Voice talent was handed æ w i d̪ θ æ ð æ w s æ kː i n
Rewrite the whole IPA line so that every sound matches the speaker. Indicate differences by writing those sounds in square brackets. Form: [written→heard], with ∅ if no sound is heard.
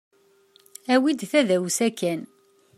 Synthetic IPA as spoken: æ w i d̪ θ æ ð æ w s æ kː [i→æ] n